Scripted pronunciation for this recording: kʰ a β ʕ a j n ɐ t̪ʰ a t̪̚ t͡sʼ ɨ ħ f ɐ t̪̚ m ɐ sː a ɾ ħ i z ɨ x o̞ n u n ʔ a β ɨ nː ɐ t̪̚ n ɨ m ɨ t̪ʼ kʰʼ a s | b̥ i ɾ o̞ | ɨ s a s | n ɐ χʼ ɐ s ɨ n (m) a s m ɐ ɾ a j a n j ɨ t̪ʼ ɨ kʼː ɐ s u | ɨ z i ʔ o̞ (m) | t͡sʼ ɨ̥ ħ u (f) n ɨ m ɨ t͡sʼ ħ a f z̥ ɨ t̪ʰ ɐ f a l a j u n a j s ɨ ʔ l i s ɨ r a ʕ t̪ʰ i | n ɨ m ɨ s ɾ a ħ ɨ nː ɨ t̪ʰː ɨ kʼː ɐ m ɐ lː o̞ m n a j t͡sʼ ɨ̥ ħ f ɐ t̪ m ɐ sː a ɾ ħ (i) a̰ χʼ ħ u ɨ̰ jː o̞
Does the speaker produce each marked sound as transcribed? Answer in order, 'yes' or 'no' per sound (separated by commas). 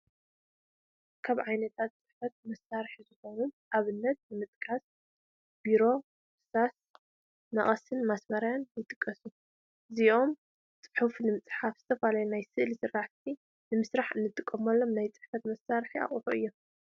yes, yes, yes, yes